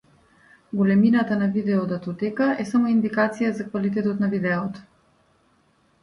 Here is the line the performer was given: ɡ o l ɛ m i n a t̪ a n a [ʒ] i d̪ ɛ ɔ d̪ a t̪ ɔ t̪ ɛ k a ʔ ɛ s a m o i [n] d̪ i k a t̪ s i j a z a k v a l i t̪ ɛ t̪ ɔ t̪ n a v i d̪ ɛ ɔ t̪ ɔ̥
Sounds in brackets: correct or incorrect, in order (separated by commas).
incorrect, correct